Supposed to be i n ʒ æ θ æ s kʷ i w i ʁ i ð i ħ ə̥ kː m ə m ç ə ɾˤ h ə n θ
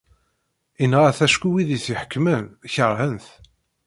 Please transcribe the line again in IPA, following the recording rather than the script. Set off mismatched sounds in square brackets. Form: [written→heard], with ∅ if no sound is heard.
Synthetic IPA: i n [ʒ→ʁ] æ θ æ [s→ʃ] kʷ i w i [ʁ→ð] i [ð→θ] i ħ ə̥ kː m ə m ç ə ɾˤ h ə n θ